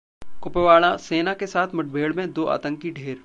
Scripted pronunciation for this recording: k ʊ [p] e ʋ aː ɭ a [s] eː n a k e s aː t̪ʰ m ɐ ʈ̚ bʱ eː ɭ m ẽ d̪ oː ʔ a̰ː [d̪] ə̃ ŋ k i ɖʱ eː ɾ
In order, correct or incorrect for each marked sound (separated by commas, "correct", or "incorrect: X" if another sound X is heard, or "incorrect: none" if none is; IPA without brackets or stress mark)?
correct, correct, incorrect: t̪